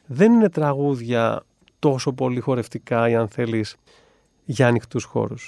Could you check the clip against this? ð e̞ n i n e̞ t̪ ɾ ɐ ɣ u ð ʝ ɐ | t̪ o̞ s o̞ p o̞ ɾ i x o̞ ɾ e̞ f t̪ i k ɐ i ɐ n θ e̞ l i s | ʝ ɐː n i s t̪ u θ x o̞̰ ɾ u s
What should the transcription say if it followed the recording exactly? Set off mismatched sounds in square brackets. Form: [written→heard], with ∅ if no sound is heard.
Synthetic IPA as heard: ð e̞ n i n e̞ t̪ ɾ ɐ ɣ u ð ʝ ɐ | t̪ o̞ s o̞ p o̞ [ɾ→l] i x o̞ ɾ e̞ f t̪ i k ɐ i ɐ n θ e̞ l i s | ʝ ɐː n i [s→x] t̪ u [θ→s] x o̞̰ ɾ u s